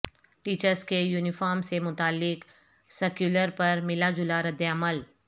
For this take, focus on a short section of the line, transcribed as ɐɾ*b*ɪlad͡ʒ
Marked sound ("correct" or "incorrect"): incorrect